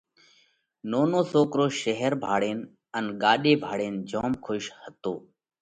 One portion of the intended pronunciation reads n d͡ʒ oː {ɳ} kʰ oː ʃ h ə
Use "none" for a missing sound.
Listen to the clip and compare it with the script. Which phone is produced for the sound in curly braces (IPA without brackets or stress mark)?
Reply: m